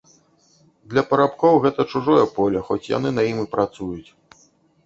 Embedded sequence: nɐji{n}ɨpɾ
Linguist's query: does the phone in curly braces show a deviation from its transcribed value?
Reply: yes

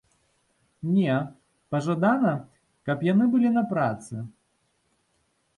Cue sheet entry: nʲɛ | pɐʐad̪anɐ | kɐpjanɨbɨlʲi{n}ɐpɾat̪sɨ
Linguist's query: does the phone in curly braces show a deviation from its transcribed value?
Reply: no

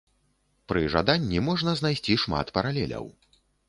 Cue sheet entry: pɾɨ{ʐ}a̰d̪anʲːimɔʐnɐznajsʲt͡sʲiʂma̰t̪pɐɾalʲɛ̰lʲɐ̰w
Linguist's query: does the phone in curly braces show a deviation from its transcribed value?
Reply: no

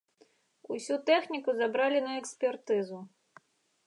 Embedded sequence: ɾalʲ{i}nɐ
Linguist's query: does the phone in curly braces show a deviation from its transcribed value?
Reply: no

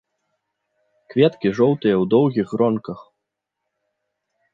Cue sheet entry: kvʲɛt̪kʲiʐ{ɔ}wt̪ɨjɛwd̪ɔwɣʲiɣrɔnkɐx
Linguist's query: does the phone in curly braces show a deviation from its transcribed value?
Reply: no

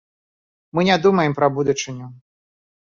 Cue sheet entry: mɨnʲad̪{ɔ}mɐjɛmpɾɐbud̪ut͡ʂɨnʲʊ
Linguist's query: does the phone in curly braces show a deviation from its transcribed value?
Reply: yes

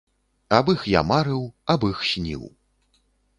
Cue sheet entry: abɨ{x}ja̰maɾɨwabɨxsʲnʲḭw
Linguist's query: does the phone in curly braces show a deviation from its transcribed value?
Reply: no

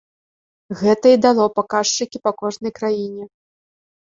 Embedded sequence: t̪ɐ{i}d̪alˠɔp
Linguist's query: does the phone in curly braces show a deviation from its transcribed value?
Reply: no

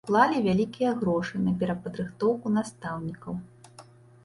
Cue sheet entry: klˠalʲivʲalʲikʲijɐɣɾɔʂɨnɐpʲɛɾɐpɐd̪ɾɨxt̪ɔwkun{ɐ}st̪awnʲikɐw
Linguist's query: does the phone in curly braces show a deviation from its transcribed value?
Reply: yes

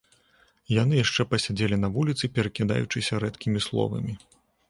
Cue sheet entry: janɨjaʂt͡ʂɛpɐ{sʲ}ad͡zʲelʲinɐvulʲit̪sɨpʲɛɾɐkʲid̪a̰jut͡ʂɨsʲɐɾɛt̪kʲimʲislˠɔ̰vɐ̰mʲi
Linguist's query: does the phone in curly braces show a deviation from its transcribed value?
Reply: no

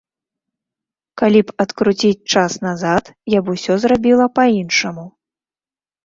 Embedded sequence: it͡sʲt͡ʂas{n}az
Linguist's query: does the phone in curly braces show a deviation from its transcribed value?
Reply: no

